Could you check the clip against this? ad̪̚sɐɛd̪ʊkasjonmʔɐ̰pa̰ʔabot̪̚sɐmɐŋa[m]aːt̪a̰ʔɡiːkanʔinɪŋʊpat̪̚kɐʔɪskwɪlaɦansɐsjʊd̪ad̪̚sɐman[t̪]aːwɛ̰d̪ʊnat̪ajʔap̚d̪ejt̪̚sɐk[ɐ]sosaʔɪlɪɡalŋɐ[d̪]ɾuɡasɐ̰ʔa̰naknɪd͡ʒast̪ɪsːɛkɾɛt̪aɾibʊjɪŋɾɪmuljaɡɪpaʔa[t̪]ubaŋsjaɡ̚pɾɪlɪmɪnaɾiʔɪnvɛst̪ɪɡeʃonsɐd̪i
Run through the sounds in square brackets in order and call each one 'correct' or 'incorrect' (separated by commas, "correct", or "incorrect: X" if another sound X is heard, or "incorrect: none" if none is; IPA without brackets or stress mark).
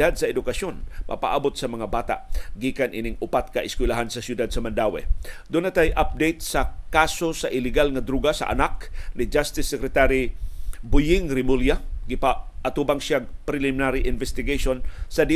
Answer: incorrect: b, incorrect: d̪, incorrect: a, correct, correct